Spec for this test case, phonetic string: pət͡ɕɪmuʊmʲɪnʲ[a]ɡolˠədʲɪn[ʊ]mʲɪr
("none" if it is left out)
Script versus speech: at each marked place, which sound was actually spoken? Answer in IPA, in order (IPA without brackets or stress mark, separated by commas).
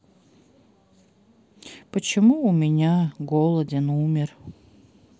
a, u